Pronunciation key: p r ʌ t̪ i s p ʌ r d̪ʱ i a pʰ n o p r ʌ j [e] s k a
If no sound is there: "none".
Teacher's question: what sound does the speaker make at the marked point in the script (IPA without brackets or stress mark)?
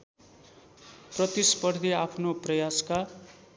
a